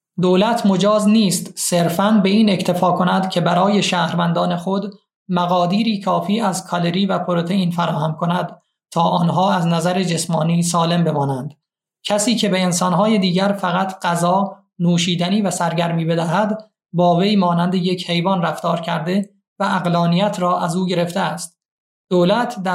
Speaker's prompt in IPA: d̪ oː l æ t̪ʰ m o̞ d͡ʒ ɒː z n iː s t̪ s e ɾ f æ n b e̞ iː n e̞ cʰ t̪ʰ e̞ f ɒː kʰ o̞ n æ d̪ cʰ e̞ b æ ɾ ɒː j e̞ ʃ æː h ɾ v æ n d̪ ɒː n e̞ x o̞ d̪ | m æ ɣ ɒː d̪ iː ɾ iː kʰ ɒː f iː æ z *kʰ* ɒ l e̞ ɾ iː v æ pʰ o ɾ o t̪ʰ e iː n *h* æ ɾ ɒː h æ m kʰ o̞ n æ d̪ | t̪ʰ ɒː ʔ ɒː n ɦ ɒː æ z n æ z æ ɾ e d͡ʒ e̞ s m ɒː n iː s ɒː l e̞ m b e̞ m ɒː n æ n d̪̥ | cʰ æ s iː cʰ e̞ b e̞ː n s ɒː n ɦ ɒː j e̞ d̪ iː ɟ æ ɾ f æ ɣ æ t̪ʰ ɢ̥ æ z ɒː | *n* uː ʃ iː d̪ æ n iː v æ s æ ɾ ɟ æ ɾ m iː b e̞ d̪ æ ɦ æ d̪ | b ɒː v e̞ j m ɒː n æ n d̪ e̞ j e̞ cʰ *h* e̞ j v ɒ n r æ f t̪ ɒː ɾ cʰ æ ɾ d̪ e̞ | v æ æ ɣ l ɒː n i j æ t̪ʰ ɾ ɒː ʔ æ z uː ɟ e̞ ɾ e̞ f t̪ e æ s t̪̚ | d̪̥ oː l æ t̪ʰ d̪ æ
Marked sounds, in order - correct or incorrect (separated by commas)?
correct, incorrect, correct, correct